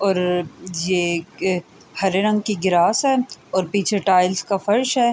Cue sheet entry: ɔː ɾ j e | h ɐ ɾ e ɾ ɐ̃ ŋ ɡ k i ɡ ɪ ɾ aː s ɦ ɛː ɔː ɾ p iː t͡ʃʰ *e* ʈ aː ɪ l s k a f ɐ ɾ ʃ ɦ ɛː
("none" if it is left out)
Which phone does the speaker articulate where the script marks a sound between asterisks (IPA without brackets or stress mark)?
e